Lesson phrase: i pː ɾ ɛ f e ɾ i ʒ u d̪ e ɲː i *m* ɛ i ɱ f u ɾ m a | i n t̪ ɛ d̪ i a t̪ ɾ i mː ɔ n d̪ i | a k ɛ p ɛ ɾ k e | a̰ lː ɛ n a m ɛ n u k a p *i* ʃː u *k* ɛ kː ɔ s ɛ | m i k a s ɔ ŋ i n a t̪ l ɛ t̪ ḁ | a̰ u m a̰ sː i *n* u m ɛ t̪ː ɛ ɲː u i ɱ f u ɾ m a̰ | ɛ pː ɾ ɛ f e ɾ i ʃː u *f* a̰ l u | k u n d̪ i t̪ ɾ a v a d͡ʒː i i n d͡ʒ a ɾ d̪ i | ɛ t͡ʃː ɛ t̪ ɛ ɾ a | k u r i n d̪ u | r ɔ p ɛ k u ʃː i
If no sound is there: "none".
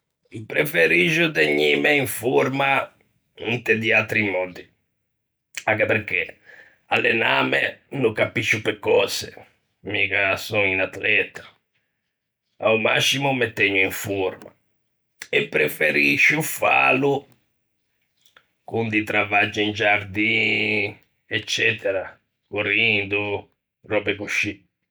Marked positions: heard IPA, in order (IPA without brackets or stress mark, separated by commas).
m, i, p, m, f